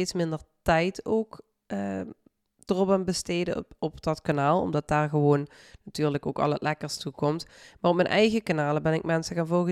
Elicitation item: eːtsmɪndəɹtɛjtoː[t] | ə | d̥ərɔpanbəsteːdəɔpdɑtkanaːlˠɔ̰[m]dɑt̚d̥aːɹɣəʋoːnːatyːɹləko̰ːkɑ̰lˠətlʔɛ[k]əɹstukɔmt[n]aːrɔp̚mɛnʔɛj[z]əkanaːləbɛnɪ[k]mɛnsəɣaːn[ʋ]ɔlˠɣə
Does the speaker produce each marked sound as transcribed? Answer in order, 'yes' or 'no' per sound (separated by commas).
no, yes, yes, no, no, yes, no